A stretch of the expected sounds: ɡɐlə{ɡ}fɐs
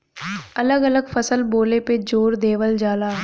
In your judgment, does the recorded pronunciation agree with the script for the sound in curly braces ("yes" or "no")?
yes